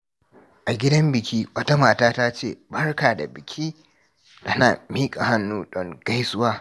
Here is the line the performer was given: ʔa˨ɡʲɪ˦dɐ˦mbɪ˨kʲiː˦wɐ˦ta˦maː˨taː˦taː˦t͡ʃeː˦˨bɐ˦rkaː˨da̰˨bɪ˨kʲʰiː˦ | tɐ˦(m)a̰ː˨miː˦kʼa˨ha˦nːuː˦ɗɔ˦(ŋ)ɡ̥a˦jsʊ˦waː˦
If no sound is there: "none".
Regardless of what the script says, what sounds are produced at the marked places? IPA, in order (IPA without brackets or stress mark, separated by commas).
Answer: n, ŋ